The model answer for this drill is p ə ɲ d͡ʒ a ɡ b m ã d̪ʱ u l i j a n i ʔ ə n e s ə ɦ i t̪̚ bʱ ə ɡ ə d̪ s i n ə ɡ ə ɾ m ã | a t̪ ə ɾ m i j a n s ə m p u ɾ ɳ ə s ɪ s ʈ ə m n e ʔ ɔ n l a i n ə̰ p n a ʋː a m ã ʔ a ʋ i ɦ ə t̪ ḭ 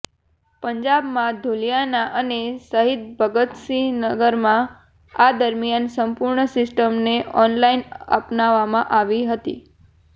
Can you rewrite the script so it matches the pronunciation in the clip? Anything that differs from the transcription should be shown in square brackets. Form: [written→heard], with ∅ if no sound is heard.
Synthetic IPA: p ə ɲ d͡ʒ a [ɡ→∅] b m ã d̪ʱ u l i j a n [i→a] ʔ ə n e s ə ɦ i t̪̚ bʱ ə ɡ ə [d̪→t̪] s i n ə ɡ ə ɾ m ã | a [t̪→d̪] ə ɾ m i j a n s ə m p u ɾ ɳ ə s ɪ s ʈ ə m n e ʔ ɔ n l a i n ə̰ p n a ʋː a m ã ʔ a ʋ i ɦ ə t̪ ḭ

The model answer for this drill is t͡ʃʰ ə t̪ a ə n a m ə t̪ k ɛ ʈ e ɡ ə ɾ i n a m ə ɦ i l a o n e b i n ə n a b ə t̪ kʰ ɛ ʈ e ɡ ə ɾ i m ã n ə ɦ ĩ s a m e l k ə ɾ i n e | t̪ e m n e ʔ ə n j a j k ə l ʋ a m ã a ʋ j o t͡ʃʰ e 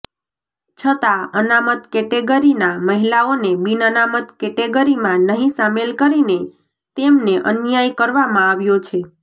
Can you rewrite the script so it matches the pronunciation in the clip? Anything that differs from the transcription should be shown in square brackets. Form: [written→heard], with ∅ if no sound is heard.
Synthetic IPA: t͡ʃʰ ə t̪ a ə n a m ə t̪ k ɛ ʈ e ɡ ə ɾ i n a m ə ɦ i l a o n e b i n ə n a [b→m] ə t̪ [kʰ→k] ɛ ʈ e ɡ ə ɾ i m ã n ə ɦ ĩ s a m e l k ə ɾ i n e | t̪ e m n e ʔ ə n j a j k ə [l→ɾ] ʋ a m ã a ʋ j o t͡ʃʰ e

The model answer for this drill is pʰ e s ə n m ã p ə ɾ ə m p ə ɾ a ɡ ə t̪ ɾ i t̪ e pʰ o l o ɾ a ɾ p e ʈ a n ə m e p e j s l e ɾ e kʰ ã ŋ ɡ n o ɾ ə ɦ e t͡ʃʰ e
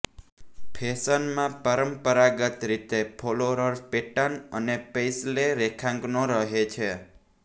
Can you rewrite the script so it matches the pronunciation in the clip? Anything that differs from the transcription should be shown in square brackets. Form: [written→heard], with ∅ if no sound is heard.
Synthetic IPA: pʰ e s ə n m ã p ə ɾ ə m p ə ɾ a ɡ ə t̪ ɾ i t̪ e pʰ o l o ɾ [a→ə] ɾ p e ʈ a n ə [m→n] e p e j s l e ɾ e kʰ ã ŋ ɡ n o ɾ ə ɦ e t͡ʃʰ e

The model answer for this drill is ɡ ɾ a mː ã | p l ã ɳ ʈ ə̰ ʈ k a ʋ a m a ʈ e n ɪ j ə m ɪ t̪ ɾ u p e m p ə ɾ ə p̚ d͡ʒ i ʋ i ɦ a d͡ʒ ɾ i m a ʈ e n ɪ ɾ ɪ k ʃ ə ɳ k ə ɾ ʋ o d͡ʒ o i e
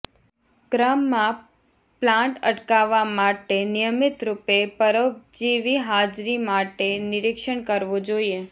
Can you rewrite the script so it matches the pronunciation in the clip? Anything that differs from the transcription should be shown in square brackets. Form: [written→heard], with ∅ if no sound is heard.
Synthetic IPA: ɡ ɾ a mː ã | p l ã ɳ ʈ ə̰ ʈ k a ʋ a m a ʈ e n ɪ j ə m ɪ t̪ ɾ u p e [m→∅] p ə ɾ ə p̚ d͡ʒ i ʋ i ɦ a d͡ʒ ɾ i m a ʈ e n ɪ ɾ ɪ k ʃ ə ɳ k ə ɾ ʋ o d͡ʒ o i e

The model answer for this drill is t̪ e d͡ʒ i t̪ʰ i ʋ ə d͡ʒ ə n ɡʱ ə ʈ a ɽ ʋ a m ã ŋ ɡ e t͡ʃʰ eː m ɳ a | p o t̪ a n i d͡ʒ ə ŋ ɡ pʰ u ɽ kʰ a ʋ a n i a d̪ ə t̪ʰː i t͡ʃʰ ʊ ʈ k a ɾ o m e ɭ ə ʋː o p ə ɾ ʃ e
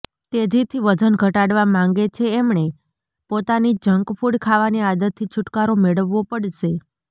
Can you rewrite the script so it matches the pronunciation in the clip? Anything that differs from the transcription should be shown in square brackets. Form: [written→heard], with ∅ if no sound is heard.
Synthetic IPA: t̪ e d͡ʒ i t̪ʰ i ʋ ə d͡ʒ ə n ɡʱ ə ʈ a ɽ ʋ a m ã ŋ ɡ e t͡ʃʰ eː m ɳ [a→e] | p o t̪ a n i d͡ʒ ə ŋ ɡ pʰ u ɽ kʰ a ʋ a n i a d̪ ə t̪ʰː i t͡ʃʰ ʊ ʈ k a ɾ o m e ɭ ə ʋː o p ə [ɾ→ɽ] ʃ e

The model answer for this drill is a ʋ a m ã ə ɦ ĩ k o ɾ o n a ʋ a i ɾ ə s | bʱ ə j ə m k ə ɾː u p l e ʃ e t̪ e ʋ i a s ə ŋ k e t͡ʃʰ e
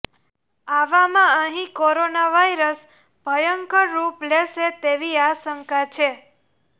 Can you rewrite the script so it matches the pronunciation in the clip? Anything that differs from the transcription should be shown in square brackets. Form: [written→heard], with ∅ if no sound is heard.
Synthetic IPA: a ʋ a m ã ə ɦ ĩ k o ɾ o n a ʋ a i ɾ ə s | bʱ ə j ə [m→ŋ] k ə ɾː u p l e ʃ e t̪ e ʋ i a s ə ŋ k [e→a] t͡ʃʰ e

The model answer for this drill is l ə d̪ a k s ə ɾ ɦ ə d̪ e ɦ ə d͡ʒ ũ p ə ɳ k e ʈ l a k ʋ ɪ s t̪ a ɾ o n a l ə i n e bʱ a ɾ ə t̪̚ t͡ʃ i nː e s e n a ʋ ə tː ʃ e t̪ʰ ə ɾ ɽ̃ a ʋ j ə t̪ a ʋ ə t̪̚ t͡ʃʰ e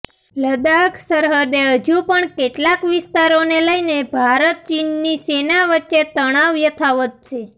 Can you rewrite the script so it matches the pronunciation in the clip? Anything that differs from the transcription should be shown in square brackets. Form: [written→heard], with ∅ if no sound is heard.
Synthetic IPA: l ə d̪ a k s ə ɾ ɦ ə d̪ e ɦ ə d͡ʒ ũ p ə ɳ k e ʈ l a k ʋ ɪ s t̪ a ɾ o n [a→e] l ə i n e bʱ a ɾ ə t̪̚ t͡ʃ i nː [e→i] s e n a ʋ ə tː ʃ e [t̪ʰ→t̪] ə [ɾ→∅] ɽ̃ a ʋ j ə [t̪→t̪ʰ] a ʋ ə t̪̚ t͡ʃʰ e

